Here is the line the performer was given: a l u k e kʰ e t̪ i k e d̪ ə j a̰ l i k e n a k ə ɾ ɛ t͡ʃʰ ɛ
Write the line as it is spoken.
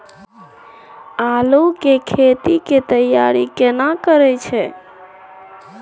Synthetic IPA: a l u k e kʰ e t̪ i k e t̪ ə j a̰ ɾ i k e n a k ə ɾ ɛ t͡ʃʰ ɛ